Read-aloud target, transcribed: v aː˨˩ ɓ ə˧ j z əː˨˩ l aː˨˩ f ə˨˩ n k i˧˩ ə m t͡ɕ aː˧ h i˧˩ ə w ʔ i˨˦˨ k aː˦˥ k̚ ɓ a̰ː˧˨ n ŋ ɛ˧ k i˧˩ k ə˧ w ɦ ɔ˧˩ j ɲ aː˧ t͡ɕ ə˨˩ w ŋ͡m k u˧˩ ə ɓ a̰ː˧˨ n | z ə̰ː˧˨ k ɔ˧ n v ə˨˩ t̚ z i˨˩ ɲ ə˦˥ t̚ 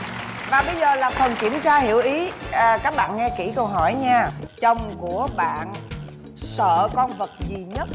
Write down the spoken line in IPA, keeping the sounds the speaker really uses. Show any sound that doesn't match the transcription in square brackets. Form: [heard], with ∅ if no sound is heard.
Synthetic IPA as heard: v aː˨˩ ɓ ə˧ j z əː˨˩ l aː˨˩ f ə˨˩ n k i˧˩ ə m t͡ɕ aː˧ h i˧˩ ə w ʔ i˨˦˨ k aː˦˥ k̚ ɓ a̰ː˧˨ n ŋ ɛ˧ k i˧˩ k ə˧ w ɦ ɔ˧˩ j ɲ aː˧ t͡ɕ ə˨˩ w ŋ͡m k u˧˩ ə ɓ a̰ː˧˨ n | [s] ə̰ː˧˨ k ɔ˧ n v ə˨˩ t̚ z i˨˩ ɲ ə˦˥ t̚